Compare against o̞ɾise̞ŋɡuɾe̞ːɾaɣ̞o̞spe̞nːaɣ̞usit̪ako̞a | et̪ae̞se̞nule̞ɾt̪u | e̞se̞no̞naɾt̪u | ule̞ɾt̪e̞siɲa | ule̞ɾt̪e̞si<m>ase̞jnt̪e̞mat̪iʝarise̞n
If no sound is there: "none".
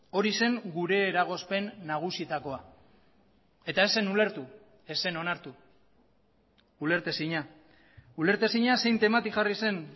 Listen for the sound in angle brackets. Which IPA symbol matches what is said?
ɲ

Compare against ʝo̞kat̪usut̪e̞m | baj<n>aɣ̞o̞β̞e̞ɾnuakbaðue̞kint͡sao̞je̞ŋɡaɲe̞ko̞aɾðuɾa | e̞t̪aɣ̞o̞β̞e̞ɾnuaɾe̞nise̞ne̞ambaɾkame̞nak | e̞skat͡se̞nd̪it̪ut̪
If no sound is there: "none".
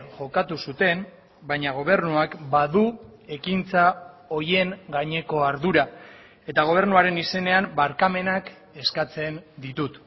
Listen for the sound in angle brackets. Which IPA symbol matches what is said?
ɲ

